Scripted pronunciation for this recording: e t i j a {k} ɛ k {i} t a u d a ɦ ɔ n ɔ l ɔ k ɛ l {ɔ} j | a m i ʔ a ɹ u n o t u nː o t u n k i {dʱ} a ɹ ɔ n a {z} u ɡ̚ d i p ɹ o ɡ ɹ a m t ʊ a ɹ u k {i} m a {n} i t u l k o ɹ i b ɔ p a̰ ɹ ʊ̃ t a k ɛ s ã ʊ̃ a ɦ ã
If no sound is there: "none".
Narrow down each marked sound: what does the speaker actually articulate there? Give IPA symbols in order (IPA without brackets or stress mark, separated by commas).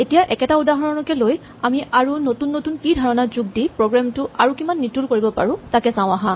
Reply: ʔ, ɛ, o, dʱ, z, i, nː